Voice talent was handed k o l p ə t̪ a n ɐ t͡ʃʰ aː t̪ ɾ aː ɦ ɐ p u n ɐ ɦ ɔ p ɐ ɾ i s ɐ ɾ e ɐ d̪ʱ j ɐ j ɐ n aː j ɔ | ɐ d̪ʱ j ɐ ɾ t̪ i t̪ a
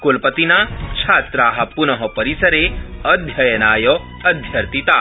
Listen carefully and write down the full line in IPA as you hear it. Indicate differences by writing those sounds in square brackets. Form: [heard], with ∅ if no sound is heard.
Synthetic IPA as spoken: k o l p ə t̪ [i] n [a] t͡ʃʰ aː t̪ ɾ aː ɦ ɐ p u n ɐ ɦ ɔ p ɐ ɾ i s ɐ ɾ e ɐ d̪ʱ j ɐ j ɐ n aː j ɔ | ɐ d̪ʱ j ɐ ɾ t̪ i t̪ a

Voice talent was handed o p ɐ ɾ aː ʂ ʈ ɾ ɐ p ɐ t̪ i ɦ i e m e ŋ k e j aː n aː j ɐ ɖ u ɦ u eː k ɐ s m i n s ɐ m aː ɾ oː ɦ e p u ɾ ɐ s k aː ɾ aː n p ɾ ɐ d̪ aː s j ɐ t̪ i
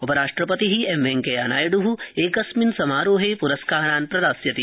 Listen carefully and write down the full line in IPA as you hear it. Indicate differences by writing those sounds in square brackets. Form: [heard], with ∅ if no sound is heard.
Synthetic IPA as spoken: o p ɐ ɾ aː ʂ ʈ ɾ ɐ p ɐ t̪ i ɦ i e m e ŋ k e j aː n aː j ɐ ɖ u ɦ u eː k ɐ s m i n s ɐ m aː ɾ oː ɦ e p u ɾ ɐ s k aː ɾ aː n p ɾ ɐ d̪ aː s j ɐ t̪ i

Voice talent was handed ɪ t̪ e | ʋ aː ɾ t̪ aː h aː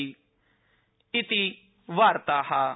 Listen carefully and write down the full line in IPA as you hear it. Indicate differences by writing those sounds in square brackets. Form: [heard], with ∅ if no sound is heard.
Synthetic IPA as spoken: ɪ t̪ [i] | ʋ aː ɾ t̪ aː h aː

